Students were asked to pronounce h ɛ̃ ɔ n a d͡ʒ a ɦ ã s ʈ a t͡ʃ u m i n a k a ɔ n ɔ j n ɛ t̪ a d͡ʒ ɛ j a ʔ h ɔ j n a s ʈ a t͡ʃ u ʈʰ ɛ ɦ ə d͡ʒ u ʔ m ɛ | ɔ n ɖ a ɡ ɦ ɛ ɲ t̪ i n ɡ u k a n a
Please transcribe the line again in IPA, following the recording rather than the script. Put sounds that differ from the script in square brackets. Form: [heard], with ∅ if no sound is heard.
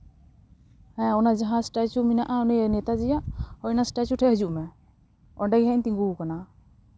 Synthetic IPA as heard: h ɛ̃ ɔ n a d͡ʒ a ɦ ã s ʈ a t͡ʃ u m i n a [ʔ] a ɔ n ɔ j n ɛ t̪ a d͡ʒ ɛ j a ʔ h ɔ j n a s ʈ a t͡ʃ u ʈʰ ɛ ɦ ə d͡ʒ u ʔ m ɛ | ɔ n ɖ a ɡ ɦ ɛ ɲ t̪ i [ŋ] ɡ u k a n a